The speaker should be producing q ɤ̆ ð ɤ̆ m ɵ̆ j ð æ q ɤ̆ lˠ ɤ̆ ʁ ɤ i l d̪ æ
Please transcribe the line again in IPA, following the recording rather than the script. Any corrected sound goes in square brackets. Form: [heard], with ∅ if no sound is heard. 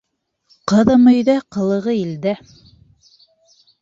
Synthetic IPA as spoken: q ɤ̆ ð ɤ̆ m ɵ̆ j ð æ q ɤ̆ lˠ ɤ̆ ʁ ɤ i l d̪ æ